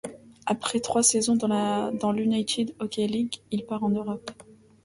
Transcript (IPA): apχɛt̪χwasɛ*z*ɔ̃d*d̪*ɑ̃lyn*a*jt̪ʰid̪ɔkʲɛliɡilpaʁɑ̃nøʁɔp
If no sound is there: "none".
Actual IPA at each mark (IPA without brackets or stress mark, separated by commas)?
z, d̪, a